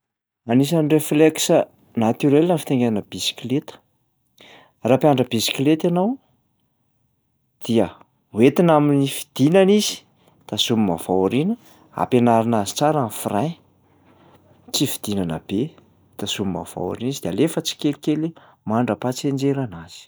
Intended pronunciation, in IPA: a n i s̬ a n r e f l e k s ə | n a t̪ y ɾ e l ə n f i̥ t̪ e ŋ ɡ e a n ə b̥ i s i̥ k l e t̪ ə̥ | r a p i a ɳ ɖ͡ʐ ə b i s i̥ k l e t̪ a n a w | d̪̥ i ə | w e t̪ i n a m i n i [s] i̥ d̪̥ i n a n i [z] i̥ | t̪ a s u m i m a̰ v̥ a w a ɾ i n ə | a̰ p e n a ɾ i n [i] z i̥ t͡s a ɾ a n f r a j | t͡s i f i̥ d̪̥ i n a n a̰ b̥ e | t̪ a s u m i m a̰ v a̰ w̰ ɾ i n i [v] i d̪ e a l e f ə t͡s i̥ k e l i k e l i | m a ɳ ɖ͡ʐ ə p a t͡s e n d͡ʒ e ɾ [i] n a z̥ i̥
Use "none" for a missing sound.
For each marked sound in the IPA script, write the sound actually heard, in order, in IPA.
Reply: f, z, a, z, a

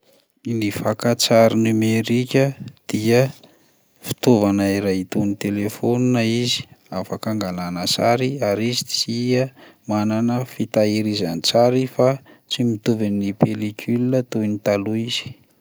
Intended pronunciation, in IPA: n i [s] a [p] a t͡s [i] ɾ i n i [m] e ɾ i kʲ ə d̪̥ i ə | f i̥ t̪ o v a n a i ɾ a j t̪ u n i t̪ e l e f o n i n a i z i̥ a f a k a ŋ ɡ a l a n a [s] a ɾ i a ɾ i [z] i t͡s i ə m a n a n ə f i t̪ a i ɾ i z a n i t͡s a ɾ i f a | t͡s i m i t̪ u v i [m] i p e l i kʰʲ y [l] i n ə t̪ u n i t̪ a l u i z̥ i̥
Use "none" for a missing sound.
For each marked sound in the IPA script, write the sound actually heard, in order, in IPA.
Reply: f, k, a, m, s, z, n, l

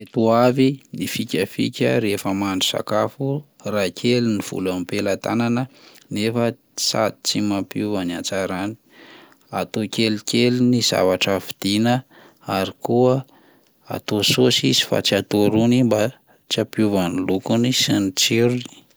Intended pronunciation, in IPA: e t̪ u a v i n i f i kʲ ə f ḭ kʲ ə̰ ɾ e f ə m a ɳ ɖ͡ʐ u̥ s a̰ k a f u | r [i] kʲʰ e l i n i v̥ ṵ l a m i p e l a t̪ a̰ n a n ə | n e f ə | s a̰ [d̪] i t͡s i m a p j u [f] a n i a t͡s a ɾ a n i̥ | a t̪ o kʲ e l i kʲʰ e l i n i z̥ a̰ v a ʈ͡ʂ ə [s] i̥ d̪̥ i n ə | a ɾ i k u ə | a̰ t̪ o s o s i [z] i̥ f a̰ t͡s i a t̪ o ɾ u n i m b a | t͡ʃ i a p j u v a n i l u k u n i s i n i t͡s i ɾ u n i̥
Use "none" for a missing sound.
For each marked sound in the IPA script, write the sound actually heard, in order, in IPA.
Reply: a, d̪, v, f, z

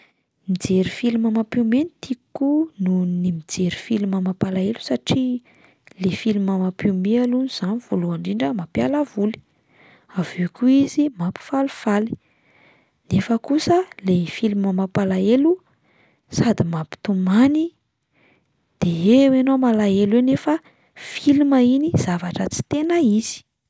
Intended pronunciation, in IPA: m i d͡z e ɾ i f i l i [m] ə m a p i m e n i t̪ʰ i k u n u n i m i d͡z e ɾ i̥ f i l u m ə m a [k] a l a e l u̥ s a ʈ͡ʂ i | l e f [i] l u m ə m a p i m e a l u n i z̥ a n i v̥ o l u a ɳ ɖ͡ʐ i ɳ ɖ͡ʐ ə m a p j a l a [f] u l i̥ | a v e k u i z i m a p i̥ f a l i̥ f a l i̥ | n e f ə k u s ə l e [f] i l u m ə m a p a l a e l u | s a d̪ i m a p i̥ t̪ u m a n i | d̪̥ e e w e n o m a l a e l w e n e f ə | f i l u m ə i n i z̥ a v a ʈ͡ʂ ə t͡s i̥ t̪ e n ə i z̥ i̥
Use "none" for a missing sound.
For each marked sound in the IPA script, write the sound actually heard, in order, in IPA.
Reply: m, p, i, v, f

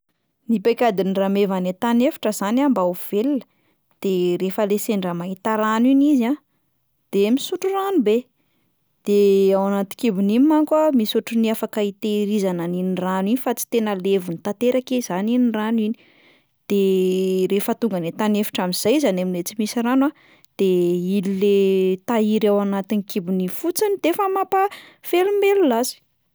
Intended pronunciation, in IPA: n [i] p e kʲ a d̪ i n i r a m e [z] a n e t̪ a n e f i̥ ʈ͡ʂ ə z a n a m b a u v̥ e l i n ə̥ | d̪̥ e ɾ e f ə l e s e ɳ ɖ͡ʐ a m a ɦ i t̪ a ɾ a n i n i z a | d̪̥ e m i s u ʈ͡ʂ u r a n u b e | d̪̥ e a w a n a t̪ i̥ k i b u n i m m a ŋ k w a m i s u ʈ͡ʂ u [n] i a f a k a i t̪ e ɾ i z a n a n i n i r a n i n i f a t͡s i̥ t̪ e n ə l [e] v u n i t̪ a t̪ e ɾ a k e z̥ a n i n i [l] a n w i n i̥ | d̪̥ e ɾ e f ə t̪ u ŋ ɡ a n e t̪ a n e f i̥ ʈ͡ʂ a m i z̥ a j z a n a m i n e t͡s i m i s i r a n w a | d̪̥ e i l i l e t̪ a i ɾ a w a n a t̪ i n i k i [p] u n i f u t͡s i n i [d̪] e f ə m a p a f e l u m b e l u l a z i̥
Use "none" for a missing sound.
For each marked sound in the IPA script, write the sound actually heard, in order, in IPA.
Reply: i, v, n, e, r, b, d̪

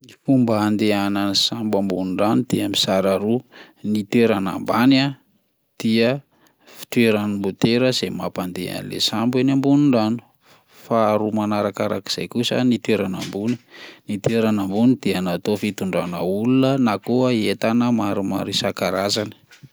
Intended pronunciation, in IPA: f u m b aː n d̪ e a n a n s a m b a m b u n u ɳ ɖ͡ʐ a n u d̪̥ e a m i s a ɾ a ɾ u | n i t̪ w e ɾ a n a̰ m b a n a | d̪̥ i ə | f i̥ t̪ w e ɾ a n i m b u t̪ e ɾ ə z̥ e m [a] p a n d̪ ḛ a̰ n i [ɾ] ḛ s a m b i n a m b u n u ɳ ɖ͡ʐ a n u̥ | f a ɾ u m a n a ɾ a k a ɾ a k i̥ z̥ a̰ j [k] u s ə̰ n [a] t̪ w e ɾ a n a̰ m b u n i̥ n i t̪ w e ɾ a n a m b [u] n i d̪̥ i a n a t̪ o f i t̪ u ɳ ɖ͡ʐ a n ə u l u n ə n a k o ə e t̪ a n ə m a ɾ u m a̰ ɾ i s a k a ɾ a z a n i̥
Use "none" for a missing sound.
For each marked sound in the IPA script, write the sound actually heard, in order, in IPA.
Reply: a, l, k, i, u

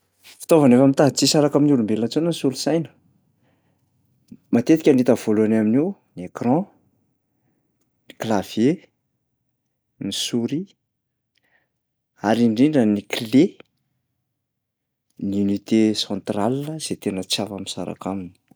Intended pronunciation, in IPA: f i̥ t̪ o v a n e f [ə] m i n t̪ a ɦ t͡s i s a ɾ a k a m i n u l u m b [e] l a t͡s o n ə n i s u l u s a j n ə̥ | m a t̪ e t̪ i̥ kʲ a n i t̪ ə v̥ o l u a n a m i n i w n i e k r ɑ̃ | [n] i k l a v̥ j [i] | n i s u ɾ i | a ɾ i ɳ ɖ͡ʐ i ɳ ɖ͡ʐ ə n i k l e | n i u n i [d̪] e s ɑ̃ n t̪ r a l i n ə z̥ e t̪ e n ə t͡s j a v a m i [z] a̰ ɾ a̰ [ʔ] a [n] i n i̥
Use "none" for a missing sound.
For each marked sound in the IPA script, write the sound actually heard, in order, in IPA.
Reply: a, e, n, e, t̪, s, k, m

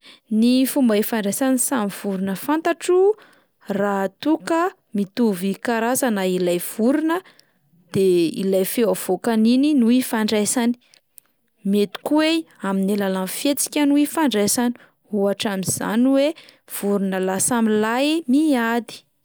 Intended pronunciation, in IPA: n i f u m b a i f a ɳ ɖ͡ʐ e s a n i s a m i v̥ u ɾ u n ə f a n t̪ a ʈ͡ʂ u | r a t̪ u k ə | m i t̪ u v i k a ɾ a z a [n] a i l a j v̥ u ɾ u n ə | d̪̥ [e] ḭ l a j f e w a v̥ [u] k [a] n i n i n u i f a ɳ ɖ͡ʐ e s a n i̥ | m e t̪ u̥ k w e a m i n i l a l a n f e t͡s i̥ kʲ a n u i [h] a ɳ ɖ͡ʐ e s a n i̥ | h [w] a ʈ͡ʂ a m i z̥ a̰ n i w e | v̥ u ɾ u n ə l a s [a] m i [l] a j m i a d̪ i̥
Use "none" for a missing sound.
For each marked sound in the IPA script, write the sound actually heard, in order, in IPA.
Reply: n, e, o, a, f, u, a, l

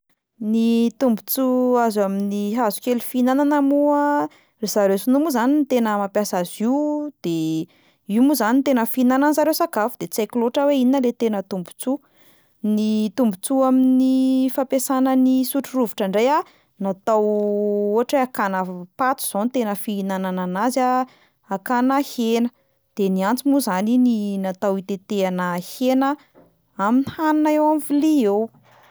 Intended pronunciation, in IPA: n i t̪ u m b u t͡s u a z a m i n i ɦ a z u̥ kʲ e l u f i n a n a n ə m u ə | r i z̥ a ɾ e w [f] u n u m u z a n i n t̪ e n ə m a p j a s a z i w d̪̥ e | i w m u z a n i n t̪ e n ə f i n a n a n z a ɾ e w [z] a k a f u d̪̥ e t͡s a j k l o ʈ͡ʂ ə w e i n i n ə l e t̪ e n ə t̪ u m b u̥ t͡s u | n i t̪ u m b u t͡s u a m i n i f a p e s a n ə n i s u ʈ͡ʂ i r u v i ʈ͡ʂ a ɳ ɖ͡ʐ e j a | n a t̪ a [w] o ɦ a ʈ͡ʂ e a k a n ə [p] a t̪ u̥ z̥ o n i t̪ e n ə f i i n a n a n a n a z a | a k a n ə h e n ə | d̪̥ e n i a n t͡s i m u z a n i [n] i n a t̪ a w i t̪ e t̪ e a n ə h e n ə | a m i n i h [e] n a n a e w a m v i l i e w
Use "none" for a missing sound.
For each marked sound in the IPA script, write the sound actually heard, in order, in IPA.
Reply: s, s, w, p, n, a

